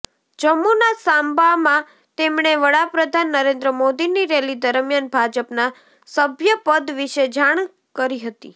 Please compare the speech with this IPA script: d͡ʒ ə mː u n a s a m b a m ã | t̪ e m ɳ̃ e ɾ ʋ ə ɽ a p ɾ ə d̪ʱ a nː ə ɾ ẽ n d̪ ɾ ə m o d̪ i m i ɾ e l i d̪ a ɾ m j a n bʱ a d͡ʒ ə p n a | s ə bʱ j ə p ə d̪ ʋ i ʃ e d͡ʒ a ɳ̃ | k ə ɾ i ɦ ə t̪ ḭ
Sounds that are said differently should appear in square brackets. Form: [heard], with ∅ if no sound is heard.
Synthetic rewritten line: d͡ʒ ə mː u n a s a m b a m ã | t̪ e m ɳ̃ e [∅] ʋ ə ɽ a p ɾ ə d̪ʱ a nː ə ɾ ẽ n d̪ ɾ ə m o d̪ i [n] i ɾ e l i d̪ [ə] ɾ m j a n bʱ a d͡ʒ ə p n a | s ə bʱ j ə p ə d̪ ʋ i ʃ e d͡ʒ a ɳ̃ | k ə ɾ i ɦ ə t̪ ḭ

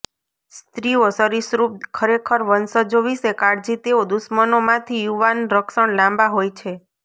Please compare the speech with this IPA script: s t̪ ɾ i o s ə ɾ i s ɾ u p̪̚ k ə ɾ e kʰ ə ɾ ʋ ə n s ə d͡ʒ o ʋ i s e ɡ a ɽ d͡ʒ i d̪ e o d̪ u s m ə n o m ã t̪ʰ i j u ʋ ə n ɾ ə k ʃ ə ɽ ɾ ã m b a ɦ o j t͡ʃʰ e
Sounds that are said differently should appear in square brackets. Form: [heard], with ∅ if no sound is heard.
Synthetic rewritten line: s t̪ ɾ i o s ə ɾ i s ɾ u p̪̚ [kʰ] ə ɾ e kʰ ə ɾ ʋ ə n s ə d͡ʒ o ʋ i s e [k] a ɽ d͡ʒ i [t̪] e o d̪ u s m ə n o m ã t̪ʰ i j u ʋ [a] n ɾ ə k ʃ ə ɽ [l] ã m b a ɦ o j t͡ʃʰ e

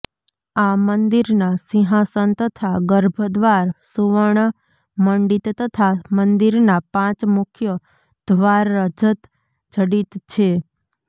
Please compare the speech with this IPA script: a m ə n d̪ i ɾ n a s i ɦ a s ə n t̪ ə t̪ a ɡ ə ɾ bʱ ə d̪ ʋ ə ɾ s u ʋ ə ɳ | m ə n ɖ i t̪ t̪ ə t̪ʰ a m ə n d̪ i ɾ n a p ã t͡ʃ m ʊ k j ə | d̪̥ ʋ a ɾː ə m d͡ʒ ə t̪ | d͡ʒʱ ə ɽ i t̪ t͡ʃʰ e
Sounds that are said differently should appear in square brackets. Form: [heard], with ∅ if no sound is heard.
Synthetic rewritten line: a m ə n d̪ i ɾ n a s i ɦ a s ə n t̪ ə [t̪ʰ] a ɡ ə ɾ bʱ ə d̪ ʋ [a] ɾ s u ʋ ə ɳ | m ə [ɳ] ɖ i t̪ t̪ ə t̪ʰ a m ə n d̪ i ɾ n a p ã t͡ʃ m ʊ [kʰ] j ə | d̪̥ ʋ a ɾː ə [∅] d͡ʒ ə t̪ | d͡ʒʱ ə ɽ i t̪ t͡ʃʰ e

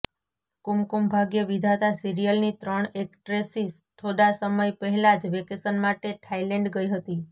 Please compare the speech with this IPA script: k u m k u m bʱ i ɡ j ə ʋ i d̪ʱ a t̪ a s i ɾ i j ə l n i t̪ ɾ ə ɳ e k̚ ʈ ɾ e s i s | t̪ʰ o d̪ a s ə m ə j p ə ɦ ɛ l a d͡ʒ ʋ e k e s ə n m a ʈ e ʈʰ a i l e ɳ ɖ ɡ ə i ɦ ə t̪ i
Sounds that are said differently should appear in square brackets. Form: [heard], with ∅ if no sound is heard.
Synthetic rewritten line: k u m k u m bʱ [a] ɡ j ə ʋ i d̪ʱ a t̪ a s i ɾ i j ə l n i t̪ ɾ ə ɳ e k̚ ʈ ɾ e s i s | t̪ʰ o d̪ a s ə m ə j p ə ɦ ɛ l a d͡ʒ ʋ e k e s ə n m a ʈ e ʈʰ a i l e ɳ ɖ ɡ ə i ɦ ə t̪ i

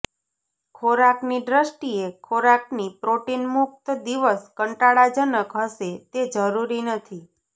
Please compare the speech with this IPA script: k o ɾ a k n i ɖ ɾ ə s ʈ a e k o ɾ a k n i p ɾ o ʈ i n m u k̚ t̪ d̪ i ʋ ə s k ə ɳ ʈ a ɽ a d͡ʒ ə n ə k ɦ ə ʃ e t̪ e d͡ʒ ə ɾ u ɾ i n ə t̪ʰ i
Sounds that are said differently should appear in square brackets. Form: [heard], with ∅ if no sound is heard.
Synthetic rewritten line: [kʰ] o ɾ a k n i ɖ ɾ ə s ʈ [i] e [kʰ] o ɾ a k n i p ɾ o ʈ i n m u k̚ t̪ d̪ i ʋ ə s k ə ɳ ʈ a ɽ a d͡ʒ ə n ə k ɦ ə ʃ e t̪ e d͡ʒ ə ɾ u ɾ i n ə t̪ʰ i

